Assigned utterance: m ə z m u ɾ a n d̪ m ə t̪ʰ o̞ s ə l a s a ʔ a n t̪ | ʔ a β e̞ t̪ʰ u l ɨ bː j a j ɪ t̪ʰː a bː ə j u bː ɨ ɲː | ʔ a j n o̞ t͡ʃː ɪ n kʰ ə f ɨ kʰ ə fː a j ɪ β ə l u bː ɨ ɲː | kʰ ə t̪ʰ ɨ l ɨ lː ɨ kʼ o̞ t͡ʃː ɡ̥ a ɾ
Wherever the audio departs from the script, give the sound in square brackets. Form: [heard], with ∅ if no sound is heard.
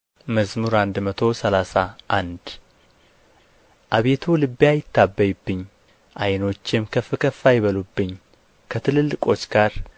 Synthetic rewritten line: m ə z m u ɾ a n d̪ m ə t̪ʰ o̞ s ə l a s a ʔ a n [d̪] | ʔ a β e̞ t̪ʰ u l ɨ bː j a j ɪ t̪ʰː a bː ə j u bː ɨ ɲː | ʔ a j n o̞ t͡ʃː ɪ [m] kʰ ə f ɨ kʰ ə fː a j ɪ β ə l u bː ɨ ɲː | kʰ ə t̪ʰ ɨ l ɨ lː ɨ kʼ o̞ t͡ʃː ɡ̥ a ɾ